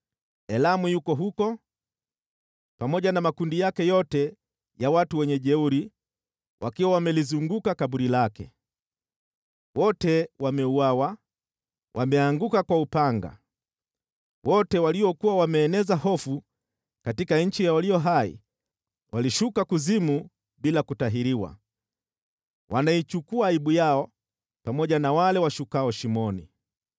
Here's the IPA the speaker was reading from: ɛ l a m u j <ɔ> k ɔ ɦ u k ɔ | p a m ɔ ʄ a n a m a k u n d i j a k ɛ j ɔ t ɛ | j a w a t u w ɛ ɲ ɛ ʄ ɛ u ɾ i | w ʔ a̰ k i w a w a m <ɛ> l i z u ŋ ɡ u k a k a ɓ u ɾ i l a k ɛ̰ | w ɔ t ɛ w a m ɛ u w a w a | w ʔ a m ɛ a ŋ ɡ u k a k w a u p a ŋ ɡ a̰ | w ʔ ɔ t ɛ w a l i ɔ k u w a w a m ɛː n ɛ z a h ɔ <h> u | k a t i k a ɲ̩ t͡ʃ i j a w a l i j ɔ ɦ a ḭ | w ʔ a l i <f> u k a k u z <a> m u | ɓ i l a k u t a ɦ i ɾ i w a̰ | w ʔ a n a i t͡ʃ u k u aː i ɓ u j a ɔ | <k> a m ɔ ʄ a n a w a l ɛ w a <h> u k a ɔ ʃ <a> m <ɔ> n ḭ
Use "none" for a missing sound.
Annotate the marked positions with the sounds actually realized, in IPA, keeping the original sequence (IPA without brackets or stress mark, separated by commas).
u, ɛ, f, ʃ, i, p, ʃ, i, ɔ